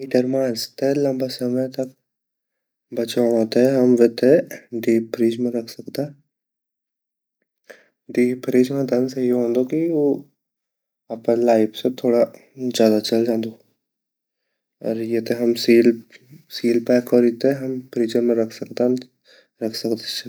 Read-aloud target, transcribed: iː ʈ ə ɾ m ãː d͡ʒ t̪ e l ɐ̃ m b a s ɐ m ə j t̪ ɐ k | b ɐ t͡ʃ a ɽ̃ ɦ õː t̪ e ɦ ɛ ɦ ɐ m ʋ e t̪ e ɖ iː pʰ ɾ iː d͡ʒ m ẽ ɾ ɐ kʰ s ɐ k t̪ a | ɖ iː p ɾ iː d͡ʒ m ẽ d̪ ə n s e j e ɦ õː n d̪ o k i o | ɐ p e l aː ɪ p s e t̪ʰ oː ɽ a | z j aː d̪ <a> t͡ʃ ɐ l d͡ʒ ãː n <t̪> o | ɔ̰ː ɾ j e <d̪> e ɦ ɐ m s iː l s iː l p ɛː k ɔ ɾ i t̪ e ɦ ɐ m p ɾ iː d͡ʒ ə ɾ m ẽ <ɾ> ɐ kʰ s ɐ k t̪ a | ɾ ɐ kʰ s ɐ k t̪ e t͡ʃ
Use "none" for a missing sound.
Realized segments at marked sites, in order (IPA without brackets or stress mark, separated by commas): a, d̪, t̪, ɾ